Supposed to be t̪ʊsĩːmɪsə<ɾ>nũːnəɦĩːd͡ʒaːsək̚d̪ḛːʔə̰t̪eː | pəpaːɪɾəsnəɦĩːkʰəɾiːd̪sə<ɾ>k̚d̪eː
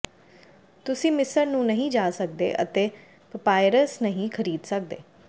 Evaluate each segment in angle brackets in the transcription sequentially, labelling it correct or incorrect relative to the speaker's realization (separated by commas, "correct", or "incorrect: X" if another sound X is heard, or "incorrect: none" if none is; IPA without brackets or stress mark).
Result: correct, incorrect: none